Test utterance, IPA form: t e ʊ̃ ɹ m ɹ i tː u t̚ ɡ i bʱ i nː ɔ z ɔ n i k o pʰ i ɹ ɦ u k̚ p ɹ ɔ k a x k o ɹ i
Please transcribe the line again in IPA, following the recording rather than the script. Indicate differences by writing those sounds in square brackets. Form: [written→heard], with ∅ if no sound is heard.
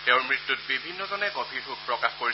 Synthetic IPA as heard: t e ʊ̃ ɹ m ɹ i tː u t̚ [ɡ→b] i bʱ i nː ɔ z ɔ n [i→ɛ] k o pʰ i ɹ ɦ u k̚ p ɹ ɔ k a x k o ɹ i